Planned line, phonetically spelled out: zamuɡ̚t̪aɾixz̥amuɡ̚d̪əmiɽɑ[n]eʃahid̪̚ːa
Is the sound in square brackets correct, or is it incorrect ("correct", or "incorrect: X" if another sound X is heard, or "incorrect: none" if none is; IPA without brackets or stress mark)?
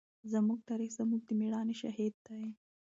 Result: correct